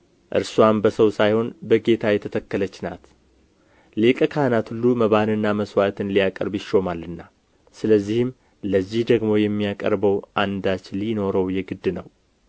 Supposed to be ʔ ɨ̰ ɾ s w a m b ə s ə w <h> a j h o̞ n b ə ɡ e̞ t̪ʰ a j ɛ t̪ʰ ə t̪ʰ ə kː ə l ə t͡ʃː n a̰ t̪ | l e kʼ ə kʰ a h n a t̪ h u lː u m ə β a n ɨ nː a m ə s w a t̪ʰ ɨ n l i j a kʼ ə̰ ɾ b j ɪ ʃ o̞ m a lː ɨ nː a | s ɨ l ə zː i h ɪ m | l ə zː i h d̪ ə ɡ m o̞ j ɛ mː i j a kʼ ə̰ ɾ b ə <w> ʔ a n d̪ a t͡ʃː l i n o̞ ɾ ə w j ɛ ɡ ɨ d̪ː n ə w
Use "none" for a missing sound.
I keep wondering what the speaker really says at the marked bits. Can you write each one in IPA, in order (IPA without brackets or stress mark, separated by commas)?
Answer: s, w